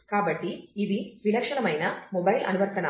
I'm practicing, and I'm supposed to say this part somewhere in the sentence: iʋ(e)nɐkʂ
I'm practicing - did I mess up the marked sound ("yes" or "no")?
yes